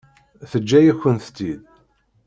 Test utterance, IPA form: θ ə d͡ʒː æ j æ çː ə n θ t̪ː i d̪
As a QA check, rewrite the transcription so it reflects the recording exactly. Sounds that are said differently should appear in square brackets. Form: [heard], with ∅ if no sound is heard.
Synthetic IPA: θ ə d͡ʒː æ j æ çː ə n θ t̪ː i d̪